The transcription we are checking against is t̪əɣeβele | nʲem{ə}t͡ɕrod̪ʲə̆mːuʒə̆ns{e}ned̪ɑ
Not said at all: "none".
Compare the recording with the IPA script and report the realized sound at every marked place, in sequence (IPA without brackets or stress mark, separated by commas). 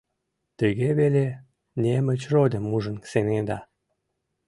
ə, e